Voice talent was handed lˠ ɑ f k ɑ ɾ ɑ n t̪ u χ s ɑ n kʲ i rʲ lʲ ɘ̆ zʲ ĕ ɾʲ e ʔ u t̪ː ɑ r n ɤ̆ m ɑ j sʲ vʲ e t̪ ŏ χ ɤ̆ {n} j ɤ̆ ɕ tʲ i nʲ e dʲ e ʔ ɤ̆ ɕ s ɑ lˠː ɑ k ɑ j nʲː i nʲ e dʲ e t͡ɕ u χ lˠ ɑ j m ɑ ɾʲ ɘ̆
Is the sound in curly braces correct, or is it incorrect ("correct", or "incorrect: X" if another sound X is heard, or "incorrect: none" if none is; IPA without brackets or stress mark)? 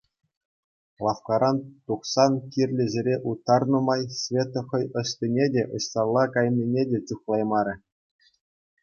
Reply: incorrect: none